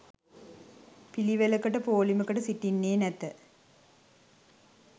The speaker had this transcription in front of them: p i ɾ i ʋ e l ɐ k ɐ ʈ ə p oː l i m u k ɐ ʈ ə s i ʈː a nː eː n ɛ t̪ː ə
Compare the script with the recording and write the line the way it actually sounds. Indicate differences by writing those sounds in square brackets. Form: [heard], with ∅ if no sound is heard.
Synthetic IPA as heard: p i [l] i ʋ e l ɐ k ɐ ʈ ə p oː l i m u k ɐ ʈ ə s i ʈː [i] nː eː n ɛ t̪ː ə